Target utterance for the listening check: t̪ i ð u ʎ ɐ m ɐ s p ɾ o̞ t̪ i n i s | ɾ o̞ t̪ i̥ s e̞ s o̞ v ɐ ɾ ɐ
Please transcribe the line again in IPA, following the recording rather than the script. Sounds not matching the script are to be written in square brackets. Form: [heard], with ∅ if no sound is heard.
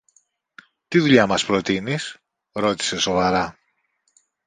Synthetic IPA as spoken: t̪ i ð u ʎ ɐ m ɐ s p ɾ o̞ t̪ i n i s | ɾ o̞ t̪ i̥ s e̞ s o̞ v ɐ ɾ ɐ